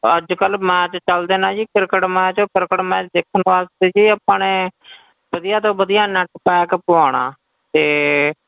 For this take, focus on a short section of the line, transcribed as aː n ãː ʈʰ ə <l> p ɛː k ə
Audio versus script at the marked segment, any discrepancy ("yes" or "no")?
yes